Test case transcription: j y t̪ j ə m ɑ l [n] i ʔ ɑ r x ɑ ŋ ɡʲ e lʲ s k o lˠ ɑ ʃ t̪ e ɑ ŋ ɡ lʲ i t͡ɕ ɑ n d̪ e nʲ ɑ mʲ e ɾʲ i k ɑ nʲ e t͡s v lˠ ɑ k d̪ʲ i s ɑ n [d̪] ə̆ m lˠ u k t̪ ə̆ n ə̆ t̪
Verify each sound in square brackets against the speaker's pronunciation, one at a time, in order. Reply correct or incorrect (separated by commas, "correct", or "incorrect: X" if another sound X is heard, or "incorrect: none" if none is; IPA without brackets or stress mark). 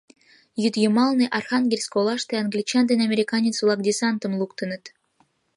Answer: correct, incorrect: t̪